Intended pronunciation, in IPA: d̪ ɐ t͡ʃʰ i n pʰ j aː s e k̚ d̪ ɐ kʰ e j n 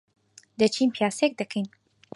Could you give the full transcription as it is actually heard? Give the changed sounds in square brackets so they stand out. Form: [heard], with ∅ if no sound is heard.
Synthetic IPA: d̪ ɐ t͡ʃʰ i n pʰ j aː s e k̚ d̪ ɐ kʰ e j n